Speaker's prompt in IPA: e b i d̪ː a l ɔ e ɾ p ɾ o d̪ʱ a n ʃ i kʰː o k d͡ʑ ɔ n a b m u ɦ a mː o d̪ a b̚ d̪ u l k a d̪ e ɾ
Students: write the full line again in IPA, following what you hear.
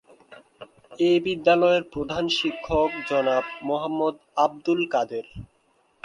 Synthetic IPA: e b i d̪ː a l ɔ e ɾ p ɾ o d̪ʱ a n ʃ i kʰː o k d͡ʑ ɔ n a b m o ɦ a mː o d̪ a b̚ d̪ u l k a d̪ e ɾ